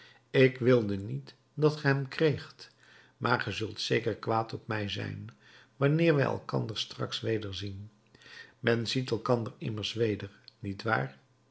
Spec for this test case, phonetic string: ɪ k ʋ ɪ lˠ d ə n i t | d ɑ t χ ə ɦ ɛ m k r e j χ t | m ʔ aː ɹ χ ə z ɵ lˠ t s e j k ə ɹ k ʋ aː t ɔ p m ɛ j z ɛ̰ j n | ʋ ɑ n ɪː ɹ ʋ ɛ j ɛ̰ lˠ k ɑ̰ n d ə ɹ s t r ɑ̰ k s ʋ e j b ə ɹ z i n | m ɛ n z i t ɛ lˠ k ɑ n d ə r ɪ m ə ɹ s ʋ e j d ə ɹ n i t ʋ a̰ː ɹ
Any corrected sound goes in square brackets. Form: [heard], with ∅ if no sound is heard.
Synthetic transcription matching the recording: ɪ k ʋ ɪ lˠ d ə n i t | d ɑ t χ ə ɦ ɛ m k r e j χ t | m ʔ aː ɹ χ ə z ɵ lˠ t s e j k ə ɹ k ʋ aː t ɔ p m ɛ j z ɛ̰ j n | ʋ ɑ n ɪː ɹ ʋ ɛ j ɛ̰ lˠ k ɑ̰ n d ə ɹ s t r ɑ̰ k s ʋ e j [d] ə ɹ z i n | m ɛ n z i t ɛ lˠ k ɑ n d ə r ɪ m ə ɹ s ʋ e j d ə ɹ n i t ʋ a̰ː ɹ